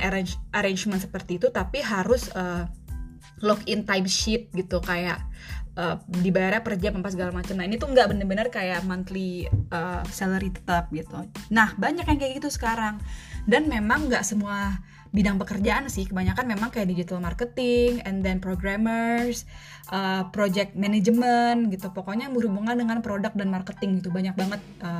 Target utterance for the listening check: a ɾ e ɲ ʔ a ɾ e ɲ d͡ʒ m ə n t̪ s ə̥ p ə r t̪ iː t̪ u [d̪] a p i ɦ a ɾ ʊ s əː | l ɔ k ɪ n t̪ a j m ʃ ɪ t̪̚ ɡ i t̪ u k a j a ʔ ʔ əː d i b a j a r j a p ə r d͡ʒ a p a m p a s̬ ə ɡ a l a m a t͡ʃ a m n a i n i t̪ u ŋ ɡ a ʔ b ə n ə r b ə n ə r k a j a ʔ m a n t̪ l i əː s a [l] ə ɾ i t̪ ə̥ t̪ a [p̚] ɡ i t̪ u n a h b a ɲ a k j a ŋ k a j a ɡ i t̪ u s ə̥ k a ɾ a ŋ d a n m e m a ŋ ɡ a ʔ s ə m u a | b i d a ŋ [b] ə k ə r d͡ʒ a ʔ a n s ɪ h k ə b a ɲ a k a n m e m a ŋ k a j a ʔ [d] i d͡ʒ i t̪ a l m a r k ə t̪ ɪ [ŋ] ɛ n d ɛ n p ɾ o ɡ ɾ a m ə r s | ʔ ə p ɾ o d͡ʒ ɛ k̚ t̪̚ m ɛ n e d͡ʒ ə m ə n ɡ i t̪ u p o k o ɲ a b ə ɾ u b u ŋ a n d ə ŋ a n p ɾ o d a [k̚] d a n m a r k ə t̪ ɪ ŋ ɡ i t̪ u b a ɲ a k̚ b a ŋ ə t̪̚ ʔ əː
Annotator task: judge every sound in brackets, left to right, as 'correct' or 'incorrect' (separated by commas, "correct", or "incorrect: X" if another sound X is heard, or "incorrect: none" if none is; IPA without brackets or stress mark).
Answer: incorrect: t̪, correct, correct, incorrect: p, correct, correct, correct